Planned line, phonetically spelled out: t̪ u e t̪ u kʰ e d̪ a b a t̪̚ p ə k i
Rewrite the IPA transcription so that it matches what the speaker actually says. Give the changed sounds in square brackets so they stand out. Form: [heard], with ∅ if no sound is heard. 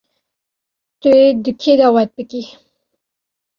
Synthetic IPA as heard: t̪ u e [d̪] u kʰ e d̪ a [w] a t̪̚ p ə k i